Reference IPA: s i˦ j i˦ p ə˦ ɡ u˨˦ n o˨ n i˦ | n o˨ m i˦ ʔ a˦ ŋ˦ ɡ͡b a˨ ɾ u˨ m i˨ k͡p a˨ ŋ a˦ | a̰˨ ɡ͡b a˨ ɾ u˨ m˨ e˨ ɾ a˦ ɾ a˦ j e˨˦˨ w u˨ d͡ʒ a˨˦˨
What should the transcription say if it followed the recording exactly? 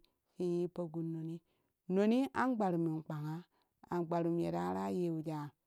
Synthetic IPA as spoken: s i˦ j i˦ p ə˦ ɡ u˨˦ n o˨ n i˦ | n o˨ n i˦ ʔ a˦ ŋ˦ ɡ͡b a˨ ɾ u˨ m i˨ k͡p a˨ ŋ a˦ | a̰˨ ɡ͡b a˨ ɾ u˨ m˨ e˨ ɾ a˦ ɾ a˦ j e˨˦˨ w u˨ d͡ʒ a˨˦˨